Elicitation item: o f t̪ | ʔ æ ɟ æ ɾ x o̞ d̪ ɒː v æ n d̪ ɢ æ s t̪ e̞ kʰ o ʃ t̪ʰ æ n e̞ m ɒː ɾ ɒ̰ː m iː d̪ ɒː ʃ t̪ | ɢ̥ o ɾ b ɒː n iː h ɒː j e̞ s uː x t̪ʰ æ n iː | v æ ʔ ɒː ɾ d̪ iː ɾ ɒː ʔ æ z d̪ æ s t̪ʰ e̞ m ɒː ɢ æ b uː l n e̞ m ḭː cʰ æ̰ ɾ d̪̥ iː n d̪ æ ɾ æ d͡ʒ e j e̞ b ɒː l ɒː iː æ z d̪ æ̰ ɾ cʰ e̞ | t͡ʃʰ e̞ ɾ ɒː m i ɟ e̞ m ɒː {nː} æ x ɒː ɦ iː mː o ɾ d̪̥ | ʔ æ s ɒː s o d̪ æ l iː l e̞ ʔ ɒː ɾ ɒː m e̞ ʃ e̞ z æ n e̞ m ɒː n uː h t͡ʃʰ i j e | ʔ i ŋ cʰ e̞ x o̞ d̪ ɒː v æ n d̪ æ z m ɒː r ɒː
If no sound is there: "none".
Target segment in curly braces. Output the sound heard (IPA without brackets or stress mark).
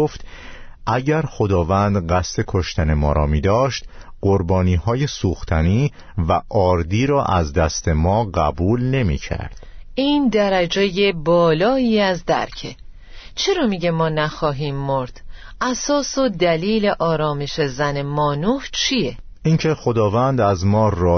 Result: n